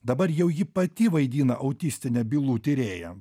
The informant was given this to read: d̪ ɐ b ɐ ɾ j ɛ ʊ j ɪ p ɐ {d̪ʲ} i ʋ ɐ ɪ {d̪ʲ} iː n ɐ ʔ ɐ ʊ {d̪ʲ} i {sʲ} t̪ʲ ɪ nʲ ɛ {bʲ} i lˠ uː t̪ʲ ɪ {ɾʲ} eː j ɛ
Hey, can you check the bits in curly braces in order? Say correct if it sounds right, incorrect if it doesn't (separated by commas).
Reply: incorrect, correct, incorrect, correct, correct, correct